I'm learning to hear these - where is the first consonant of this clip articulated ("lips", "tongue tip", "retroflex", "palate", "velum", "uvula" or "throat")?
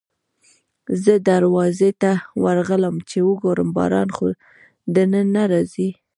tongue tip